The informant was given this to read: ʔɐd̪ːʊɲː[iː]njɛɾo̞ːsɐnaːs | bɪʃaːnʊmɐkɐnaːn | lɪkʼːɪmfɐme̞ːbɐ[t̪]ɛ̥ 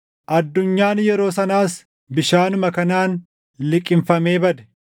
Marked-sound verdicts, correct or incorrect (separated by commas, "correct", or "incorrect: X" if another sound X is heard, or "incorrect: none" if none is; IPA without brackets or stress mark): incorrect: aː, incorrect: d̪